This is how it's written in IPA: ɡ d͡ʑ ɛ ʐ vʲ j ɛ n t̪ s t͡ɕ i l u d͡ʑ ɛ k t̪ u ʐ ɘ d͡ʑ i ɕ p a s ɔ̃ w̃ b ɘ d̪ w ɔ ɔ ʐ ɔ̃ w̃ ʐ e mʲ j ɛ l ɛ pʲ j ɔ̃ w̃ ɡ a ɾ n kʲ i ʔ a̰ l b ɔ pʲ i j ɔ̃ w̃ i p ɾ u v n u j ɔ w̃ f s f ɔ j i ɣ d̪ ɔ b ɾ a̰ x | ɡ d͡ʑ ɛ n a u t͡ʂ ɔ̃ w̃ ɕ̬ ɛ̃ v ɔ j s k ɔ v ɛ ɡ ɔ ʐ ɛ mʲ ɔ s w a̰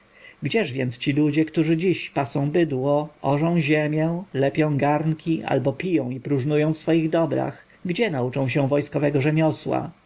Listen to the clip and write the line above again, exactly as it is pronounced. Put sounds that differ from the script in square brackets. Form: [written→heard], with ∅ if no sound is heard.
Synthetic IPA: ɡ d͡ʑ ɛ ʐ vʲ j ɛ n t̪ s t͡ɕ i l u d͡ʑ ɛ k t̪ u ʐ ɘ d͡ʑ i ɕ p a s ɔ̃ w̃ b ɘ d̪ w ɔ ɔ ʐ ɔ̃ w̃ [ʐ→ʑ] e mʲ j ɛ l ɛ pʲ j ɔ̃ w̃ ɡ a ɾ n kʲ i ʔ a̰ l b ɔ pʲ i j ɔ̃ w̃ i p ɾ u [v→ʐ] n u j [ɔ→ɔ̃] w̃ f s f ɔ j i ɣ d̪ ɔ b ɾ a̰ x | ɡ d͡ʑ ɛ n a u t͡ʂ ɔ̃ w̃ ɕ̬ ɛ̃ v ɔ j s k ɔ v ɛ ɡ ɔ ʐ ɛ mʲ ɔ s w a̰